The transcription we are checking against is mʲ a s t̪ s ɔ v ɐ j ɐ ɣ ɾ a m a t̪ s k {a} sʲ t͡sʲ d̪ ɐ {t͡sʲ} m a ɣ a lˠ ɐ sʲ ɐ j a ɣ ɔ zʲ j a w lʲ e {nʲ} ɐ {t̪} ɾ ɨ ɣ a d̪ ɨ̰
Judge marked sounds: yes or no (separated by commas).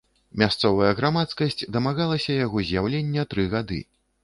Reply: no, no, no, yes